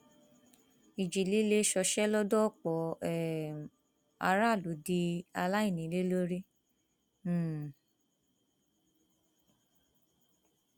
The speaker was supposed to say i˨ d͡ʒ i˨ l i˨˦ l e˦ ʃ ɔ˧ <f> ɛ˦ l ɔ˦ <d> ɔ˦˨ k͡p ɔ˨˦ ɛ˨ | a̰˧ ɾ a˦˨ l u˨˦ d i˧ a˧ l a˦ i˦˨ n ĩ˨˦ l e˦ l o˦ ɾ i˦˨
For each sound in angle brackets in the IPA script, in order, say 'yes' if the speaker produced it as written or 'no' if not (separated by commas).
no, yes